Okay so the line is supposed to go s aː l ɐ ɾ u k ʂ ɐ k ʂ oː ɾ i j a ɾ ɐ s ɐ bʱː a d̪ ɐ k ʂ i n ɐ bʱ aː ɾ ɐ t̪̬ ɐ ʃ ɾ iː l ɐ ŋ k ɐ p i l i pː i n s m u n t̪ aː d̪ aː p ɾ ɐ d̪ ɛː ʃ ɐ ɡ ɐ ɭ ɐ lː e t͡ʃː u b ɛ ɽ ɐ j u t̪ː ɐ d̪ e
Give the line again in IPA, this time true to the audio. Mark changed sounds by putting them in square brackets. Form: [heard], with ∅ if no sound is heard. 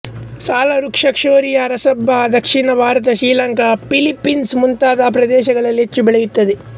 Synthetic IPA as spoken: s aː l ɐ ɾ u k ʂ ɐ k ʂ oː ɾ i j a ɾ ɐ s ɐ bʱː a d̪ ɐ k ʂ i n ɐ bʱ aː ɾ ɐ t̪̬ ɐ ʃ ɾ iː l ɐ ŋ k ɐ p i l i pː i n s m u n t̪ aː d̪ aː p ɾ ɐ d̪ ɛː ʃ ɐ ɡ ɐ ɭ ɐ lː e t͡ʃː u b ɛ [ɭ] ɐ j u t̪ː ɐ d̪ e